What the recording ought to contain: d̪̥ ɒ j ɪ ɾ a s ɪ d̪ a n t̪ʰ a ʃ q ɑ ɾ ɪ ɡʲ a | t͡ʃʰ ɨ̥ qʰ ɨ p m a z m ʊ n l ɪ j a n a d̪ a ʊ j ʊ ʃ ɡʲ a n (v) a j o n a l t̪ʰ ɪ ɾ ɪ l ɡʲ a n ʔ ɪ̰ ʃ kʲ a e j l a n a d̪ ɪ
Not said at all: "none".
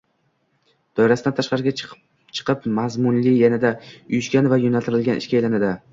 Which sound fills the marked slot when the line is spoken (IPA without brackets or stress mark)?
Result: v